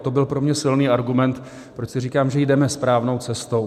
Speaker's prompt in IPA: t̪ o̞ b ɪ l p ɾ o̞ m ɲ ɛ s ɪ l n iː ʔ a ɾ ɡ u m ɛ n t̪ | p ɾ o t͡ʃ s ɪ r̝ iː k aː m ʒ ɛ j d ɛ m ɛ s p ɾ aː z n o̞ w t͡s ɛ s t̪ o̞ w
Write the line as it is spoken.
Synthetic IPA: t̪ o̞ b ɪ l p ɾ o̞ m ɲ ɛ s ɪ l n iː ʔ a ɾ ɡ u m ɛ n t̪ | p ɾ o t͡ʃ s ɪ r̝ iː k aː m ʒ ɛ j d ɛ m ɛ s p ɾ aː v n o̞ w t͡s ɛ s t̪ o̞ w